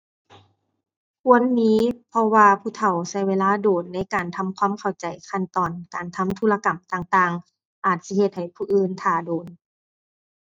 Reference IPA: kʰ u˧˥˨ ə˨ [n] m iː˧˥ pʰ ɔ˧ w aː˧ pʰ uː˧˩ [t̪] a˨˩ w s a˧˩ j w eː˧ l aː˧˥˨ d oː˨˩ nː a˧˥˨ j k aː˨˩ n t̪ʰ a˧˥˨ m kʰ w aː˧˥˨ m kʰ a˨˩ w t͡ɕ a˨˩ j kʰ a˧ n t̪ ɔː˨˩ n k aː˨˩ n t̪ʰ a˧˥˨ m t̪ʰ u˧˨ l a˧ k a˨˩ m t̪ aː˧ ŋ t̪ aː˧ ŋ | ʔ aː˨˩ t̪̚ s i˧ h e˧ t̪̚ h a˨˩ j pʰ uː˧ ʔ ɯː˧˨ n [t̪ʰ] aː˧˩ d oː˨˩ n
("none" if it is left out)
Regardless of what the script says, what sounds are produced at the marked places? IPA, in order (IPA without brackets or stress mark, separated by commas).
n, t̪ʰ, t̪ʰ